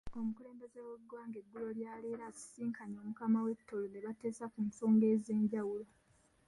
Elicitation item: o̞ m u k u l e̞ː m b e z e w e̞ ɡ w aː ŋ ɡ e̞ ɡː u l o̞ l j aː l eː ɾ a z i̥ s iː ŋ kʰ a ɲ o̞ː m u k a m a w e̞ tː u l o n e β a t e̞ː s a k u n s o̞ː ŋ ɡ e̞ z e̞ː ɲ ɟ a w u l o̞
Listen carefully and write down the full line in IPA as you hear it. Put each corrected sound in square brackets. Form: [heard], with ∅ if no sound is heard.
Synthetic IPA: o̞ m u k u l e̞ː m b e z e w e̞ ɡ w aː ŋ ɡ e̞ ɡː u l o̞ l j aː l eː ɾ a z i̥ s iː ŋ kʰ a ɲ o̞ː m u k a m a w e̞ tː [o] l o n e β a t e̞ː s a k u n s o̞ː ŋ ɡ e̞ z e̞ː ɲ ɟ a w u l o̞